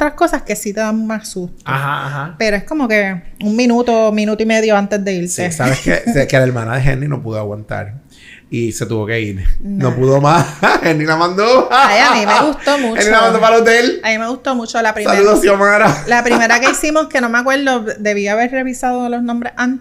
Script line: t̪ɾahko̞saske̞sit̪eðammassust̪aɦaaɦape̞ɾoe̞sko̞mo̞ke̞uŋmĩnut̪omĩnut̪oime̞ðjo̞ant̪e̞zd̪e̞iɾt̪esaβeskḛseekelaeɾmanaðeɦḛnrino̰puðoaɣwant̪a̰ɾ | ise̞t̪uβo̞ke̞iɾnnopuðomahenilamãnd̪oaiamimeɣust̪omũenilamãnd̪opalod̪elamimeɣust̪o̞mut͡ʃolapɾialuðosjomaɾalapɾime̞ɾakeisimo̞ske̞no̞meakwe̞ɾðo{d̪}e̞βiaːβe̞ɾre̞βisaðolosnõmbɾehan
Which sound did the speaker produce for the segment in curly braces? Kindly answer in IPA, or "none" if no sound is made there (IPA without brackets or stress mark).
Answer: d̪